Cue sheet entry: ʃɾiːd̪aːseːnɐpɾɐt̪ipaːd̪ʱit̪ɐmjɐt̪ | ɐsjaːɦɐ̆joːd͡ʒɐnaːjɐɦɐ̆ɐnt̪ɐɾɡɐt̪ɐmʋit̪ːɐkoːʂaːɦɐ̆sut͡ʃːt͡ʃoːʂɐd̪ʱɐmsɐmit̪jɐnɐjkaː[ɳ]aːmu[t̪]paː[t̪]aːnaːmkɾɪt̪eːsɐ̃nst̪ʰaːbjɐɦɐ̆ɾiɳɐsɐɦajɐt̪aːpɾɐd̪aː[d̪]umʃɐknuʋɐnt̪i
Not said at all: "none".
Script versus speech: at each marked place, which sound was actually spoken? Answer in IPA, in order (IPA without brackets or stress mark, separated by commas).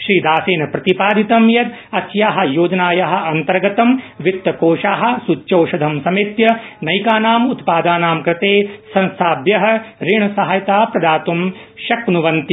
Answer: n, t̪, d̪, t̪